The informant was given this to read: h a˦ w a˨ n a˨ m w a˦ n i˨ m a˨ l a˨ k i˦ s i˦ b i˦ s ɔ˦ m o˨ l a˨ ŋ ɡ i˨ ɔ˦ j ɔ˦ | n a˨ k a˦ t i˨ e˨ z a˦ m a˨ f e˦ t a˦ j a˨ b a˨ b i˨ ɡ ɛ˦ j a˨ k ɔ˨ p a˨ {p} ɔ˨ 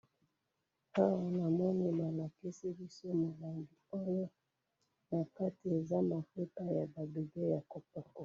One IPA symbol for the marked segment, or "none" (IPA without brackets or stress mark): k